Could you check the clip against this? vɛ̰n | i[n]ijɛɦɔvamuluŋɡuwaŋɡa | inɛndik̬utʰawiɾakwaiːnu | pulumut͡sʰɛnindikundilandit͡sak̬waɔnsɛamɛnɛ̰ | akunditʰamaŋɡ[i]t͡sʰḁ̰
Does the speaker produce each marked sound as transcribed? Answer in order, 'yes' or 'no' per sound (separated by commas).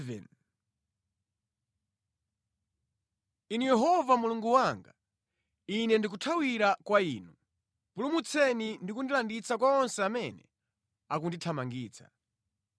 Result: yes, no